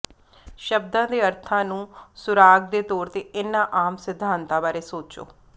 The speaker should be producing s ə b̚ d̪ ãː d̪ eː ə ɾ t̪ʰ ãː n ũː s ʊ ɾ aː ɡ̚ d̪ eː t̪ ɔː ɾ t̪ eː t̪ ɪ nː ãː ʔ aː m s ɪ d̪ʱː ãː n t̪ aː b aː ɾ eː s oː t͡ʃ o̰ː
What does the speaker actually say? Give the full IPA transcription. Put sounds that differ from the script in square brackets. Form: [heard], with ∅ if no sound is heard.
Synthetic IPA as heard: [ʃ] ə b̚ d̪ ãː d̪ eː ə ɾ t̪ʰ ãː n ũː s ʊ ɾ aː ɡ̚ d̪ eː t̪ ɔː ɾ t̪ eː [∅] ɪ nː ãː ʔ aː m s ɪ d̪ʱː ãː n t̪ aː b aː ɾ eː s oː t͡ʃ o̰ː